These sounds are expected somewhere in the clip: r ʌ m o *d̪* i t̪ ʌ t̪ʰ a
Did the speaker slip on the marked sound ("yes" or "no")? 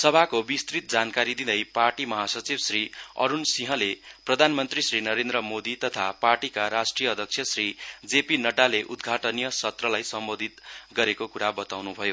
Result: no